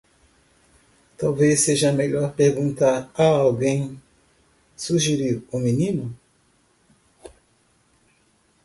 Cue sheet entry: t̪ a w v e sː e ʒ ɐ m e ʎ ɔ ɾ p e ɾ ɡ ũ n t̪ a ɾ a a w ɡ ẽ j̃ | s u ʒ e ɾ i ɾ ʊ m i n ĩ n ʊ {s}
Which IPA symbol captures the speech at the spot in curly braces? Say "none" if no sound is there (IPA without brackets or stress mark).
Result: none